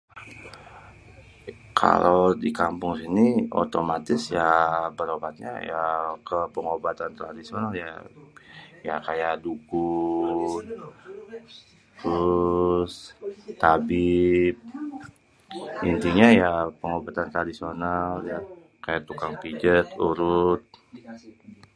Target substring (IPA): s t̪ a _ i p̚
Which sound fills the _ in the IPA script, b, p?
b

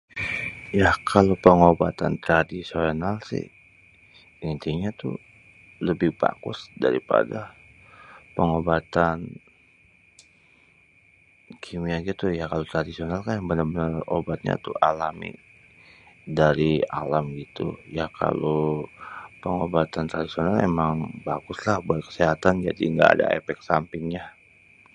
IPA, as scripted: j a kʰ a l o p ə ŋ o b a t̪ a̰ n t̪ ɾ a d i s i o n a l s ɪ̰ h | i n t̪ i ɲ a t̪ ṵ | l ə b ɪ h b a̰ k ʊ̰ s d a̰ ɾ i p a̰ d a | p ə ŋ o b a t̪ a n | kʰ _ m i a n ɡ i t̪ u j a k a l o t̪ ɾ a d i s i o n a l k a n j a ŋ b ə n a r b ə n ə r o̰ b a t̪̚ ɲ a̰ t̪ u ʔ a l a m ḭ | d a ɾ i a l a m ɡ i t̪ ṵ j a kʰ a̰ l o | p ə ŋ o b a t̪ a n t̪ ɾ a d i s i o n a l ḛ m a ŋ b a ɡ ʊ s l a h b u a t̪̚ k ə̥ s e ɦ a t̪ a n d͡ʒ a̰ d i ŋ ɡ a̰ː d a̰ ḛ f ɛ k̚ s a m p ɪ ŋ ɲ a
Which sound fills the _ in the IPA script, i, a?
i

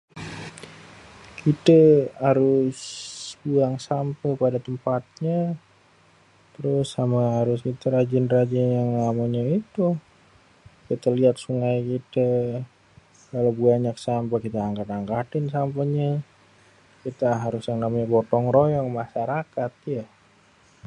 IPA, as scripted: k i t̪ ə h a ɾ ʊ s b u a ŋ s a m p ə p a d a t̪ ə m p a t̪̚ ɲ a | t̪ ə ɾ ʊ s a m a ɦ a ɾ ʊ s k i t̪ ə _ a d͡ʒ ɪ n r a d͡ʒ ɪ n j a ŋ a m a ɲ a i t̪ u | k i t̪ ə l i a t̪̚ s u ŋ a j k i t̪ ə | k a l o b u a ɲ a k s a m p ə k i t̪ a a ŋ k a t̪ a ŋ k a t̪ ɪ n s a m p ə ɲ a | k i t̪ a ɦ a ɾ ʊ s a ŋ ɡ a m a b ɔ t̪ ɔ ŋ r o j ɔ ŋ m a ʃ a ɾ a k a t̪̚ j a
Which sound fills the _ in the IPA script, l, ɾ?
ɾ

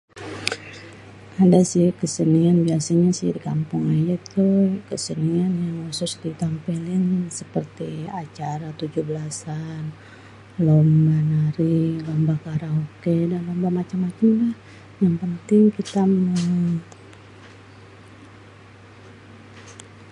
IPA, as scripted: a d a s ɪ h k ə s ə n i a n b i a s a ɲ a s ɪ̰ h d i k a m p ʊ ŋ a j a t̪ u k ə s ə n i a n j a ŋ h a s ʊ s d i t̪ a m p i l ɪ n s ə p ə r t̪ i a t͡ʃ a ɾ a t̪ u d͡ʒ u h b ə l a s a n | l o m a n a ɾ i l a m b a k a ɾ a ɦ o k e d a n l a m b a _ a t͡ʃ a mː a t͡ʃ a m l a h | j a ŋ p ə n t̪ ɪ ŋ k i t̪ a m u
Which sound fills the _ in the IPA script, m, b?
m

